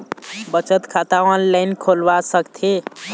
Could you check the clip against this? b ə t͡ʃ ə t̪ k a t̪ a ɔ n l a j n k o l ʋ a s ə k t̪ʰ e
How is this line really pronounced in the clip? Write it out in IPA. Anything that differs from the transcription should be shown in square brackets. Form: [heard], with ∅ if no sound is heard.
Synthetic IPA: b ə t͡ʃ ə t̪ [kʰ] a t̪ a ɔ n l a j n [kʰ] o l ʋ a s ə k t̪ʰ e